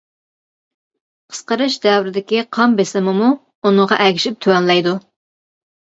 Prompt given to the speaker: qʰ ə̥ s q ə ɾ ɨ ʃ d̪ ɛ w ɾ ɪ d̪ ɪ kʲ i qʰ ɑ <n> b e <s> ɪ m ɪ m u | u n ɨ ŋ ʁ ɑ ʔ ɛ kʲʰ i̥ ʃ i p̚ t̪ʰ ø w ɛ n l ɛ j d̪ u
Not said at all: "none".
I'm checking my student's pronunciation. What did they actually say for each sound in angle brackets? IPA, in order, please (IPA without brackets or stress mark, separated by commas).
m, s